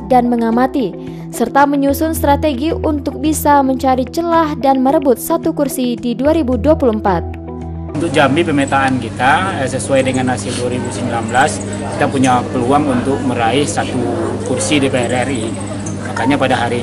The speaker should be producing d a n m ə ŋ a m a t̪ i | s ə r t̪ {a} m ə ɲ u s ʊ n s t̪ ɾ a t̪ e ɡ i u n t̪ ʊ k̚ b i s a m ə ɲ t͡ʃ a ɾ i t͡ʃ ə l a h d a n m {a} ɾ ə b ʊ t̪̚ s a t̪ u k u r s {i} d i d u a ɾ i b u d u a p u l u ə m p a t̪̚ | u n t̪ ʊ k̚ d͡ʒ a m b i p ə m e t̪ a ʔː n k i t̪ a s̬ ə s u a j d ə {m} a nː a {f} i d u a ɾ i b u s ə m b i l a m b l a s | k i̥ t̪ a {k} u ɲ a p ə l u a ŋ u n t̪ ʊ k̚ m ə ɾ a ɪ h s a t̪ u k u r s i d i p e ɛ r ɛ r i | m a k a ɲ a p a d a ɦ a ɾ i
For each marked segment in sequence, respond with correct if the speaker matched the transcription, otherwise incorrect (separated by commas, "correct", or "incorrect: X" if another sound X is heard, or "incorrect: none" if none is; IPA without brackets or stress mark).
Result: correct, incorrect: ə, correct, incorrect: ŋ, incorrect: s, incorrect: p